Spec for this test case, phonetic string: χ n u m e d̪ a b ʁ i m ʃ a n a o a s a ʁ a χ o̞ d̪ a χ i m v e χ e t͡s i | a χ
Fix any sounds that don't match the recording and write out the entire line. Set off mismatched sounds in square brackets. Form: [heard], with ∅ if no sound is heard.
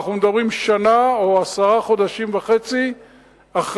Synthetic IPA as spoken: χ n u m e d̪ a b ʁ i m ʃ a n a o a s a ʁ a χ o̞ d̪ a [ʃ] i m v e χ e t͡s i | a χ